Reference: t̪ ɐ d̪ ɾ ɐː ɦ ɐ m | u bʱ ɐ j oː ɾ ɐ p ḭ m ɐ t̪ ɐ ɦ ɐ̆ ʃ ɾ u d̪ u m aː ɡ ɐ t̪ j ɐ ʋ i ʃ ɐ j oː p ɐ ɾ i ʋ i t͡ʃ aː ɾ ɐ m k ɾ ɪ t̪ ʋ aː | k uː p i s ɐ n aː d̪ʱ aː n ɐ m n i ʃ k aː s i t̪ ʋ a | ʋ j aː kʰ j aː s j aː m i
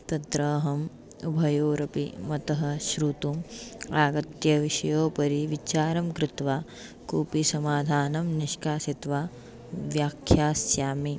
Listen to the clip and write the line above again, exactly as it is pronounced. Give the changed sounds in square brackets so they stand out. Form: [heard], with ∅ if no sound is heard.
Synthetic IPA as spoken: t̪ ɐ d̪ ɾ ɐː ɦ ɐ m | u bʱ ɐ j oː ɾ ɐ p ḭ m ɐ t̪ ɐ ɦ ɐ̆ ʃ ɾ u [t̪] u m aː ɡ ɐ t̪ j ɐ ʋ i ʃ ɐ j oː p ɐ ɾ i ʋ i t͡ʃ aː ɾ ɐ m k ɾ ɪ t̪ ʋ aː | k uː p i s ɐ [m] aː d̪ʱ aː n ɐ m n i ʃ k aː s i t̪ ʋ a | ʋ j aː kʰ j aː s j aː m i